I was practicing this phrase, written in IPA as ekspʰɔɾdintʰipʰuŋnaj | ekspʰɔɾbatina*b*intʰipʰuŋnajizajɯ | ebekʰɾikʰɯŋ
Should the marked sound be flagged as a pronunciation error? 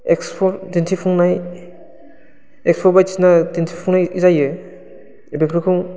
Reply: yes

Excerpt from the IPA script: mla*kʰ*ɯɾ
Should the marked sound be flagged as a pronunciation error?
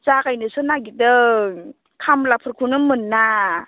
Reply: yes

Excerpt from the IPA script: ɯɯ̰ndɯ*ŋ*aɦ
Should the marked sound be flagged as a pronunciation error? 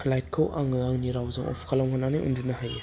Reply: yes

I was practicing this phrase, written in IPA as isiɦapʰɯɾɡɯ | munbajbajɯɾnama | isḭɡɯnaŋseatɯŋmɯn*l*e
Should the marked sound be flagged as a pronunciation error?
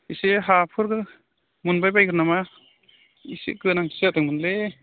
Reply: no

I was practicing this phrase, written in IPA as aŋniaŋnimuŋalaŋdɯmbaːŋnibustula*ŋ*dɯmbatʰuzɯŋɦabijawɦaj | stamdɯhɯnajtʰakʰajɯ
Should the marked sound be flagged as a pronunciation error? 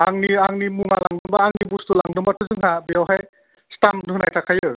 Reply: no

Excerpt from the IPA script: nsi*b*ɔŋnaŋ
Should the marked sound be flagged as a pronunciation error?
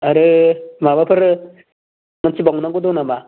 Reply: no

